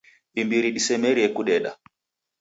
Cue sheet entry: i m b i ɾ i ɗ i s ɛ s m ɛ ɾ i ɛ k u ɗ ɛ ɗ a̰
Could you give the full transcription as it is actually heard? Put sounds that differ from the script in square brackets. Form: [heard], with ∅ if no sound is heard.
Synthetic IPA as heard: i m b i ɾ i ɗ i s ɛ [∅] m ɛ ɾ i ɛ k u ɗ ɛ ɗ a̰